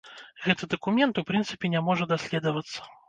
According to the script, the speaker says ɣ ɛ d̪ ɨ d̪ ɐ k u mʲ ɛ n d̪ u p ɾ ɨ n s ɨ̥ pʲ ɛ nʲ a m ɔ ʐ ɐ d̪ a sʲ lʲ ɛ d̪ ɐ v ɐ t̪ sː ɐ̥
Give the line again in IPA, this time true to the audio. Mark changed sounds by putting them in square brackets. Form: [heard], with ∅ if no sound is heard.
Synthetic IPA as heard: ɣ ɛ [t̪] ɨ d̪ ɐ k u mʲ ɛ n [t̪] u p ɾ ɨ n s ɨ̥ pʲ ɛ nʲ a m ɔ ʐ ɐ d̪ a sʲ lʲ ɛ d̪ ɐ v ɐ t̪ sː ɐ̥